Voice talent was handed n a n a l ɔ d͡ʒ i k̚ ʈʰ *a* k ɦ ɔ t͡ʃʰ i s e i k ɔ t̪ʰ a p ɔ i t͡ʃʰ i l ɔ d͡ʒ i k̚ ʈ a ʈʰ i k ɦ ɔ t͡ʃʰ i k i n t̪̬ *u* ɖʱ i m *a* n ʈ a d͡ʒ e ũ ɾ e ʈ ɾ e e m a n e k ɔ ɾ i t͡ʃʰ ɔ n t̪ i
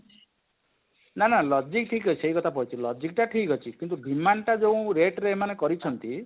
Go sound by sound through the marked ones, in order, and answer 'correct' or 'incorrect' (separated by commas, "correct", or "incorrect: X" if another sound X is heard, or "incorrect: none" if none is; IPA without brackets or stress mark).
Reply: incorrect: i, correct, correct